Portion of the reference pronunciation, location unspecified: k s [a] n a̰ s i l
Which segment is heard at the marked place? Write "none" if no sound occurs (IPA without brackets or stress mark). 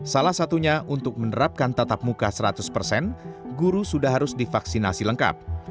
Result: i